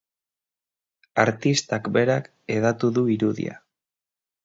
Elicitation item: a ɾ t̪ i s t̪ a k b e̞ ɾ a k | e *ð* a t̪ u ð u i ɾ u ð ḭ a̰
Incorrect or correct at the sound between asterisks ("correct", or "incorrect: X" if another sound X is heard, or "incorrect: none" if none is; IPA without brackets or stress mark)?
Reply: correct